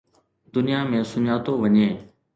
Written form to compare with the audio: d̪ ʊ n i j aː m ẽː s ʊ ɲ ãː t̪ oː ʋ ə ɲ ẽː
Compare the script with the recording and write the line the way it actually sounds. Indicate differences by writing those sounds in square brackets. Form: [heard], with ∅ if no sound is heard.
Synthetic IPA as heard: d̪ ʊ n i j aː m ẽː s ʊ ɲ [aː] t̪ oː ʋ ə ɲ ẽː